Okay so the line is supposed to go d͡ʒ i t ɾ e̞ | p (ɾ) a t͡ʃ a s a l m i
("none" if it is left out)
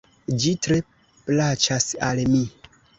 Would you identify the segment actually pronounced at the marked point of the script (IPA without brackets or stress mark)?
l